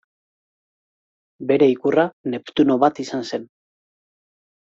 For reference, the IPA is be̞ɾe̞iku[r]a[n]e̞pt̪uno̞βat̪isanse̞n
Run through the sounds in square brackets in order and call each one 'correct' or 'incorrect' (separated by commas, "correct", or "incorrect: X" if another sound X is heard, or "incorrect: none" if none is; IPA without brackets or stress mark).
correct, correct